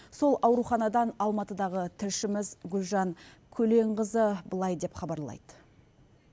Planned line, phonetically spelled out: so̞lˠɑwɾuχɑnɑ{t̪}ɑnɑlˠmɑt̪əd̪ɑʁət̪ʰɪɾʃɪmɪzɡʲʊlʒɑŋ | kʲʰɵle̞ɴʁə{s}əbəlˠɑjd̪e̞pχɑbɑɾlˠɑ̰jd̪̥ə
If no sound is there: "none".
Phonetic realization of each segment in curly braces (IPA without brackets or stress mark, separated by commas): d̪, z